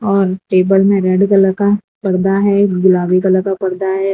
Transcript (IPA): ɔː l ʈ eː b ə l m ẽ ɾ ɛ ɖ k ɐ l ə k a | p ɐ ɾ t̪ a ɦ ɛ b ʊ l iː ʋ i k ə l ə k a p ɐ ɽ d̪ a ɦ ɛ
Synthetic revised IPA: ɔː ɾ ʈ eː b ə l m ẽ ɾ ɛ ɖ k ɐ l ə k a | p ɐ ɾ d̪ a ɦ ɛ ɡ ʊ l aː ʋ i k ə l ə k a p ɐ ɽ d̪ a ɦ ɛ